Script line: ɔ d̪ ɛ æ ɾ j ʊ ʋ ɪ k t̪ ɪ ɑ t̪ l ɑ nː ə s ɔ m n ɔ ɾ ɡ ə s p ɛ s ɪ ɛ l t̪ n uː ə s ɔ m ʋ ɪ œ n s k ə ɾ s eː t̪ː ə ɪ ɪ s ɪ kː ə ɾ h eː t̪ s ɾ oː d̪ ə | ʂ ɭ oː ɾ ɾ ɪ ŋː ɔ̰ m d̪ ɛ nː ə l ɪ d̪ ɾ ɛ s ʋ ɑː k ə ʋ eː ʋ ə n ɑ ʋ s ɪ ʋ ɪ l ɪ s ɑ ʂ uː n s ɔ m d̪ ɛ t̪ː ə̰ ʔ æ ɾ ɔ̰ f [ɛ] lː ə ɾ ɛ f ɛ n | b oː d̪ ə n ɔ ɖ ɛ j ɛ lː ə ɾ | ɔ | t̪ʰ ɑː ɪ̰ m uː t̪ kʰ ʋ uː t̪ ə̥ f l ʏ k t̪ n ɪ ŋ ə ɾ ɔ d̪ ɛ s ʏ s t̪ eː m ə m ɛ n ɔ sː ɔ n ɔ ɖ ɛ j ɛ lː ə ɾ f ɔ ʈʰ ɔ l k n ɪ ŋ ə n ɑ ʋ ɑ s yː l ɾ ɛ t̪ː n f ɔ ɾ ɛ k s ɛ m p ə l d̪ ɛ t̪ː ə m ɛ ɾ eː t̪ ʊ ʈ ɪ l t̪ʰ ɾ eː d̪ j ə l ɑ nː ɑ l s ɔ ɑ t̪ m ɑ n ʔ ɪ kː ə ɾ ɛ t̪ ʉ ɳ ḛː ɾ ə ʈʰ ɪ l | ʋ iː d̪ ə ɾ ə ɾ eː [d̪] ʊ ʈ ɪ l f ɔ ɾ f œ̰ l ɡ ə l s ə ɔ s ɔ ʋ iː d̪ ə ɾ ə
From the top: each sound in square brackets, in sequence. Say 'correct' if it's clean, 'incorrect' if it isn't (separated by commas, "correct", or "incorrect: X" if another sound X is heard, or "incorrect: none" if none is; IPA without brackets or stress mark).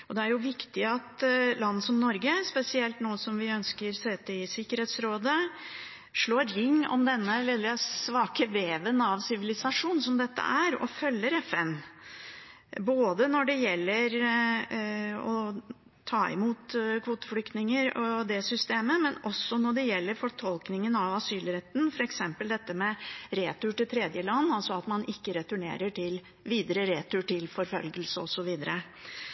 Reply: incorrect: œ, incorrect: t̪